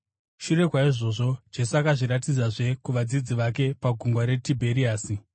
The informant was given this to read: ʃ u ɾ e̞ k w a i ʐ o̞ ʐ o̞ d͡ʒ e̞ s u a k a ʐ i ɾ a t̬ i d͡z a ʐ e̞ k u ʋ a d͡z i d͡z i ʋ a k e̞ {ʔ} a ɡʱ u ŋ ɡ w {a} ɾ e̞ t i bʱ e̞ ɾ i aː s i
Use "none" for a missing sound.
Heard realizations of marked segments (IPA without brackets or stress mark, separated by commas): p, a